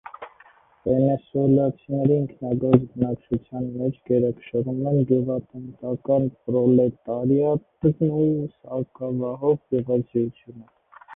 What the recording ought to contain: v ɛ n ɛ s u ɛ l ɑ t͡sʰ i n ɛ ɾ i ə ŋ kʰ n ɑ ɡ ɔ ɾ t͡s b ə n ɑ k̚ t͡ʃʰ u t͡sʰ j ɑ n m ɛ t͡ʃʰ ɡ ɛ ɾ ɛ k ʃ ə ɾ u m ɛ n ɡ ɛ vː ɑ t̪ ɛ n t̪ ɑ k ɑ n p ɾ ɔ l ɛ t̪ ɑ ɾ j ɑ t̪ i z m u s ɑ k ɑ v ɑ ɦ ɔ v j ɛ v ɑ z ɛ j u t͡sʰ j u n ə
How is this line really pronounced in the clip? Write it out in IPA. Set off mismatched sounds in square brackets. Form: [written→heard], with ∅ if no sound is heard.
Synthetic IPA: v ɛ n ɛ s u ɛ l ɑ t͡sʰ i n ɛ ɾ i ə ŋ kʰ n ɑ ɡ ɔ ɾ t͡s b ə n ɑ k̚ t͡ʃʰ u t͡sʰ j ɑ n m ɛ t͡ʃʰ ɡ ɛ ɾ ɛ k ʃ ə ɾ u m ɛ n ɡ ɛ [vː→v] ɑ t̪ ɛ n t̪ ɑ k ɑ n p ɾ ɔ l ɛ t̪ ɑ ɾ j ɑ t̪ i z m u s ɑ k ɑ v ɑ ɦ ɔ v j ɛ v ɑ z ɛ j u t͡sʰ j u n ə